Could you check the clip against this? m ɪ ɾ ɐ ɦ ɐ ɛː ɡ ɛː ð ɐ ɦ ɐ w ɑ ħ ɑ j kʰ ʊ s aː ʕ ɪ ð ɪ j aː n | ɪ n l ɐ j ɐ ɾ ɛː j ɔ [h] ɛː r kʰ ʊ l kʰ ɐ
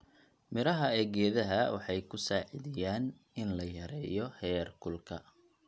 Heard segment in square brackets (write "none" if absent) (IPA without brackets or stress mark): h